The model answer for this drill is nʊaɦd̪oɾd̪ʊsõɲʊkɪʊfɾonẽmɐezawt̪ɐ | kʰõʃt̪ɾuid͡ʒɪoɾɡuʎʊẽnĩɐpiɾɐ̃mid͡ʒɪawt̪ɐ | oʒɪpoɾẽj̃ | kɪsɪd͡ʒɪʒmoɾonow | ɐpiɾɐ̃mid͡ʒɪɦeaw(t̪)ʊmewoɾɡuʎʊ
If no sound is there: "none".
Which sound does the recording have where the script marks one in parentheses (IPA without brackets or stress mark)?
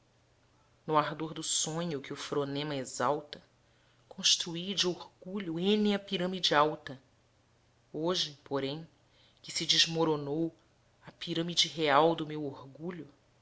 d̪